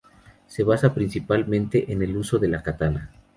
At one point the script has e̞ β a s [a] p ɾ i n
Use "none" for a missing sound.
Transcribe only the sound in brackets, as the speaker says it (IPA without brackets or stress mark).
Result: a